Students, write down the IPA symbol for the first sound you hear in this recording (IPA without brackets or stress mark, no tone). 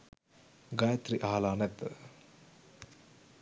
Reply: ɡ